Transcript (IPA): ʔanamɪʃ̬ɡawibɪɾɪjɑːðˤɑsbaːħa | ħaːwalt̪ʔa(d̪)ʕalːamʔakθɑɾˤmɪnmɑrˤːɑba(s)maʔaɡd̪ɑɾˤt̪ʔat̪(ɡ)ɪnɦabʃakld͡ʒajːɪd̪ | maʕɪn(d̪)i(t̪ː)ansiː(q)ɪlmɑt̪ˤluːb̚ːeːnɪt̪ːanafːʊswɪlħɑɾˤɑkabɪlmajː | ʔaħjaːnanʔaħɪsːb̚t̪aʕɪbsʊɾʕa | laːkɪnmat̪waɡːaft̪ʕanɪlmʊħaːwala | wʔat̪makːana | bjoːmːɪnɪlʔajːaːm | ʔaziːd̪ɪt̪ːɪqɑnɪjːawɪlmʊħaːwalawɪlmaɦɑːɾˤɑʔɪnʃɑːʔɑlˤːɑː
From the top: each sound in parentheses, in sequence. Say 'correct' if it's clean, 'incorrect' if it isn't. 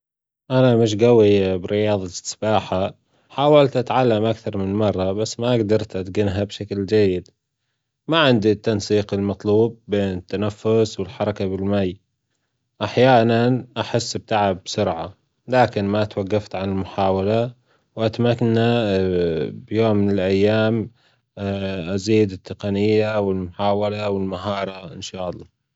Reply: incorrect, incorrect, correct, correct, correct, correct

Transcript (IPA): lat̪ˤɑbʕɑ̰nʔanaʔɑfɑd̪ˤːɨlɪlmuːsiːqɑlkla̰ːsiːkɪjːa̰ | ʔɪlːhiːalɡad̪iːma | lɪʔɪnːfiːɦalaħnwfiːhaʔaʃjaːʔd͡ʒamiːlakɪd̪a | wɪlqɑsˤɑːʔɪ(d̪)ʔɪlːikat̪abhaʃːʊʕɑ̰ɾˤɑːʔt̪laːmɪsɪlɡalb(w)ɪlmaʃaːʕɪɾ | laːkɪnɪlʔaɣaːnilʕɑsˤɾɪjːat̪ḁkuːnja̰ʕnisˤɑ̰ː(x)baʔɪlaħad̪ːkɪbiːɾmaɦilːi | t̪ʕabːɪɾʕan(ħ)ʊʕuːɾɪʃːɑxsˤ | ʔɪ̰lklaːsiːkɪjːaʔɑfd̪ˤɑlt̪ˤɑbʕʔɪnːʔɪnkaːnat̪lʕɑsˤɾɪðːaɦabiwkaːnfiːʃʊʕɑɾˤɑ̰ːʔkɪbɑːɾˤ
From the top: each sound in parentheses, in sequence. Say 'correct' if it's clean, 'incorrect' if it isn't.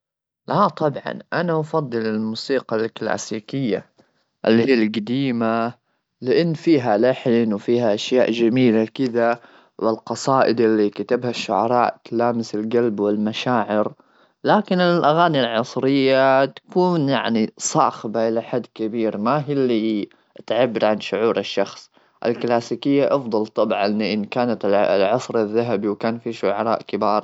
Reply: correct, correct, correct, incorrect

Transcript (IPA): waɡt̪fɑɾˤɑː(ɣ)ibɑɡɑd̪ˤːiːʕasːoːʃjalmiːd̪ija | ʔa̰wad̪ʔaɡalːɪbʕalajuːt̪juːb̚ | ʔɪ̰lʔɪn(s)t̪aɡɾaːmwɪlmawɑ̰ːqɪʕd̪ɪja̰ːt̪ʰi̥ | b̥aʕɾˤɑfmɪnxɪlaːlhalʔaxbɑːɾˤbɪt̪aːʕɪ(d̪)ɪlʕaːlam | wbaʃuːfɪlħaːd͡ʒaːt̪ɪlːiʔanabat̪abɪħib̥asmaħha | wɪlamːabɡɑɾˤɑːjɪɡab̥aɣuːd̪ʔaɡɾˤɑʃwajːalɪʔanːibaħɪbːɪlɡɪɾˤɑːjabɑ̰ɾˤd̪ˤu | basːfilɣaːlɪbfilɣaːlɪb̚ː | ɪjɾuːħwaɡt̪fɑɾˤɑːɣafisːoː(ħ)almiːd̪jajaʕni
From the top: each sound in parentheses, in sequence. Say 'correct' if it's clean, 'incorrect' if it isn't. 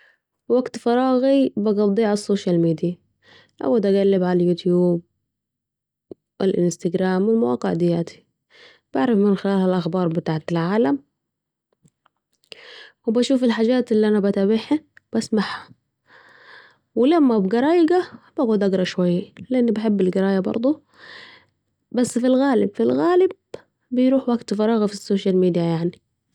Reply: correct, correct, incorrect, incorrect

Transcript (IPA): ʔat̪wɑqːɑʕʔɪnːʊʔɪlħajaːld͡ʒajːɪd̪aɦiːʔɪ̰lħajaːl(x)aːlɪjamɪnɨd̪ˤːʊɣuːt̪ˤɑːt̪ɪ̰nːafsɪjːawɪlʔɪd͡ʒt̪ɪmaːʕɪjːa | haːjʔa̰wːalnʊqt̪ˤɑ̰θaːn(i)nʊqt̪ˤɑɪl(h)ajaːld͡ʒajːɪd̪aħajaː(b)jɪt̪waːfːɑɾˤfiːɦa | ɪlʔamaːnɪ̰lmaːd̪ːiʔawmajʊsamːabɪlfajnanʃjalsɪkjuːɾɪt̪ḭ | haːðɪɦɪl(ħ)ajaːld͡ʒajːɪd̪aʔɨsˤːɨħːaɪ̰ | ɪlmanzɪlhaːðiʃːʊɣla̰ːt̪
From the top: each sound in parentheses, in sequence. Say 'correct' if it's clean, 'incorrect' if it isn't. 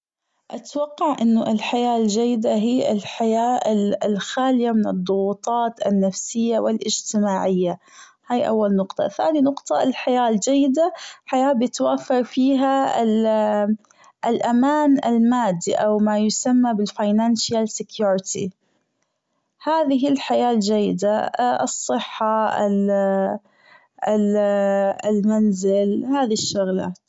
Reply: correct, correct, incorrect, correct, correct

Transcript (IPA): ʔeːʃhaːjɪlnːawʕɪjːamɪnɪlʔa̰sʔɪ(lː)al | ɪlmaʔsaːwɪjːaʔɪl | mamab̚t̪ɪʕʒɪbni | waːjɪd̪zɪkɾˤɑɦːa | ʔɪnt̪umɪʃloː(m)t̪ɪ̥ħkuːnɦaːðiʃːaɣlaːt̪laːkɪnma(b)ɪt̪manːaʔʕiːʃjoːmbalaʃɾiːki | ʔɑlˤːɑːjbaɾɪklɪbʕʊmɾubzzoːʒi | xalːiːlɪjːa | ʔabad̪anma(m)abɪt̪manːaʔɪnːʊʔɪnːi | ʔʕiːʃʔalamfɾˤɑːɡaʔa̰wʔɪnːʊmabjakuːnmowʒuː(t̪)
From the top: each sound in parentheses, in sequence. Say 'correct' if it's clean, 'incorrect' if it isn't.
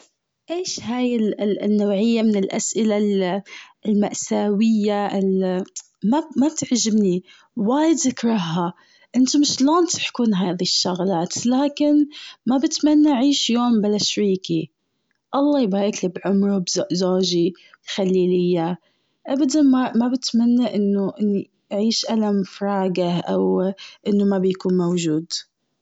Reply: incorrect, incorrect, correct, correct, incorrect

